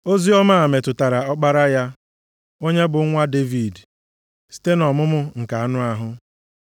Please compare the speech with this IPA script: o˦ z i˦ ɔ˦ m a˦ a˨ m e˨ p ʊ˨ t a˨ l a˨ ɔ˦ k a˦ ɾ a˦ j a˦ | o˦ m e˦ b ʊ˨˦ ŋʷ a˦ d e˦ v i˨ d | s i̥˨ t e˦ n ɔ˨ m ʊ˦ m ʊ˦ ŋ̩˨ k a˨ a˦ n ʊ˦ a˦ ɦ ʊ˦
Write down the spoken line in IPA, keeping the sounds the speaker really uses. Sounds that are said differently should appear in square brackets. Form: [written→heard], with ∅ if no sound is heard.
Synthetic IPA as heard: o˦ z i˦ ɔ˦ m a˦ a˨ m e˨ [p→t] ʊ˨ t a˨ [l→ɾ] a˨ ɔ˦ [k→k͡p] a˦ ɾ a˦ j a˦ | o˦ [m→ɲ] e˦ b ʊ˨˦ ŋʷ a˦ d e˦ v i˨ d | s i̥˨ t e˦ n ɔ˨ m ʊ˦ m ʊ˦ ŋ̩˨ k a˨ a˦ n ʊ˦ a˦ ɦ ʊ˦